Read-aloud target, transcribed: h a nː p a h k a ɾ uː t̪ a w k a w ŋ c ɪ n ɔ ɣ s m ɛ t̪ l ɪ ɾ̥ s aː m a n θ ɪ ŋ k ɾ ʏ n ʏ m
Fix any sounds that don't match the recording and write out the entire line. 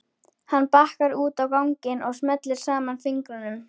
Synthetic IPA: h a nː p a h k a ɾ uː t̪ a w k a w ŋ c ɪ n ɔ ɣ s m ɛ t̪ l ɪ ɾ̥ s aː m a n f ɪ ŋ k ɾ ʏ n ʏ m